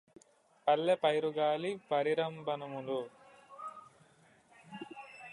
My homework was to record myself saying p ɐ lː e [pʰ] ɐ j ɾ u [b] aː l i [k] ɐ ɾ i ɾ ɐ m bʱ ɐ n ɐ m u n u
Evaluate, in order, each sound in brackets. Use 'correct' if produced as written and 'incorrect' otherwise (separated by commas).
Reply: incorrect, incorrect, incorrect